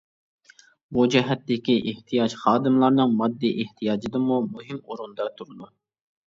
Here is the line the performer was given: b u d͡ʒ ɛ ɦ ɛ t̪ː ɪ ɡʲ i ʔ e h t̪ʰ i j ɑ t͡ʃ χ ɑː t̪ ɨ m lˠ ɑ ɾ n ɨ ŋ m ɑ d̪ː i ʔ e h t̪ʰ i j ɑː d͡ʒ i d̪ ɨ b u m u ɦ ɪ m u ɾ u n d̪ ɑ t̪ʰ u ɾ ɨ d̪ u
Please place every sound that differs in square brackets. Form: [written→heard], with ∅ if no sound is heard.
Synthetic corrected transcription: b u d͡ʒ ɛ ɦ ɛ t̪ː ɪ [ɡʲ→kʲ] i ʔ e h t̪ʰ i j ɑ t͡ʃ χ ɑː [t̪→d̪] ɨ m lˠ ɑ ɾ n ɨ ŋ m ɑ d̪ː i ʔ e h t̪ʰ i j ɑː d͡ʒ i d̪ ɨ [b→m] u m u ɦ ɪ m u ɾ u n d̪ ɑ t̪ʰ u ɾ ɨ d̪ u